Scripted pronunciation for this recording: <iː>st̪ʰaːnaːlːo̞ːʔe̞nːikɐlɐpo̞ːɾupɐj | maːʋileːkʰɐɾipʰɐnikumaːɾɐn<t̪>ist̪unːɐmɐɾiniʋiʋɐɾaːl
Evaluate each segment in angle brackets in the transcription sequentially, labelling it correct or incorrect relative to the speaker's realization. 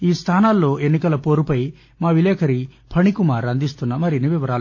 correct, incorrect: d̪

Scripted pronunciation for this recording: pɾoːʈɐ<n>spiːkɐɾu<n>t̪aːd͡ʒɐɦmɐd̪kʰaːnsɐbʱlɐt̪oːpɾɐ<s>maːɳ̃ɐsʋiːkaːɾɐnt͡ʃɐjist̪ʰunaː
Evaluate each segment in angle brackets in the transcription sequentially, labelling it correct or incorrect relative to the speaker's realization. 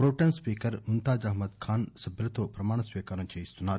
correct, correct, incorrect: none

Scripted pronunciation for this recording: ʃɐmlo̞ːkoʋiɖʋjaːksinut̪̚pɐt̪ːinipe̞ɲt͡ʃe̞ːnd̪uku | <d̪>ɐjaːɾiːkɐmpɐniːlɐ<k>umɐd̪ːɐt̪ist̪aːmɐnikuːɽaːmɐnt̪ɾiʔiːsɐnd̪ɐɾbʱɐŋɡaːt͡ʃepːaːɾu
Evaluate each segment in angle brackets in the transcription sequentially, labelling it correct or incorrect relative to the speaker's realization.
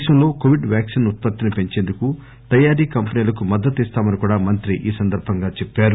incorrect: t̪, correct

